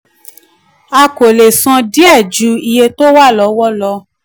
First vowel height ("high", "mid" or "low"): low